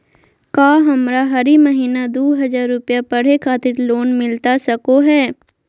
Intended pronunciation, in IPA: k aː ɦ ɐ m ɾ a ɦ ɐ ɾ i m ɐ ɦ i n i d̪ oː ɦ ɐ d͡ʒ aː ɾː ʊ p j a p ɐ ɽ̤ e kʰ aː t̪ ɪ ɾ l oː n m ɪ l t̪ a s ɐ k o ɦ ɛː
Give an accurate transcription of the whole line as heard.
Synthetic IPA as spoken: k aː ɦ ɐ m ɾ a ɦ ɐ ɾ i m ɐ ɦ iː n a d̪ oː ɦ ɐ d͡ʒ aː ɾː ʊ p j a p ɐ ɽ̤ e kʰ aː t̪ ɪ ɾ l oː n m ɪ l t̪ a s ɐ k o ɦ ɛː